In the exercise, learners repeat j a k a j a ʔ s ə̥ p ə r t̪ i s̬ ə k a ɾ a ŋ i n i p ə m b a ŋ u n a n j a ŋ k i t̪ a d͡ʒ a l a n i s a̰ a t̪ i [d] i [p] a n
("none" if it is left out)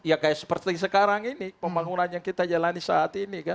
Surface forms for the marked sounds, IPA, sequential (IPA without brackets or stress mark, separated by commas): n, k